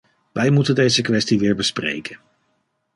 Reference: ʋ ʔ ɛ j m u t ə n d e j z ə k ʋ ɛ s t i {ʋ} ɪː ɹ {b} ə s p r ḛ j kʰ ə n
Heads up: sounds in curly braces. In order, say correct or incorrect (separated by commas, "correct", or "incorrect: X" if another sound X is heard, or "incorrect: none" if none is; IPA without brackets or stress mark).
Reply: correct, correct